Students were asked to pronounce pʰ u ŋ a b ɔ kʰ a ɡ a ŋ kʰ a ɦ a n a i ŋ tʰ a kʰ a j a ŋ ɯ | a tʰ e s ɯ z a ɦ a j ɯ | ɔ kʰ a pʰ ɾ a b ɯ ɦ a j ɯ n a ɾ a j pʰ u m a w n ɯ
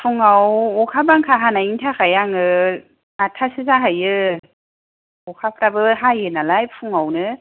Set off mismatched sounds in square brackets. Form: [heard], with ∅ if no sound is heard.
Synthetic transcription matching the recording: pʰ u ŋ a [w] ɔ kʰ a [b] a ŋ kʰ a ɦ a n a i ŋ tʰ a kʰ a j a ŋ ɯ | a tʰ [a] s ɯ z a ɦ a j ɯ | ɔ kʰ a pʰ ɾ a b ɯ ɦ a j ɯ n a [l] a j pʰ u [ŋ] a w n ɯ